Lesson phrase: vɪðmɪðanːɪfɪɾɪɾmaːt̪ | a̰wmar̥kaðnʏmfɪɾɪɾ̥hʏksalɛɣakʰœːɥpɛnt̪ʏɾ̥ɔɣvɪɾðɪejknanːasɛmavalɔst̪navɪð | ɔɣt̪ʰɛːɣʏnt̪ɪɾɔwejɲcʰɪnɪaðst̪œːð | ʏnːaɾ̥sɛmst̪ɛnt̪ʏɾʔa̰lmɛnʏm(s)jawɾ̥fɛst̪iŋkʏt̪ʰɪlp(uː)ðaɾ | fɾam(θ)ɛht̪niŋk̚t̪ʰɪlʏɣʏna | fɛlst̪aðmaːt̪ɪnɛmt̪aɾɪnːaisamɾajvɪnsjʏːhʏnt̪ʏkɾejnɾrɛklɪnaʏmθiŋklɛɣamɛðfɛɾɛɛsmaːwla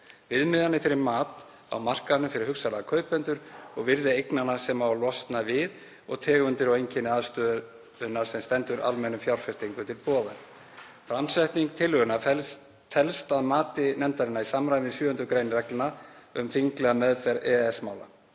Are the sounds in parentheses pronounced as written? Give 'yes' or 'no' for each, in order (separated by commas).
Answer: no, no, no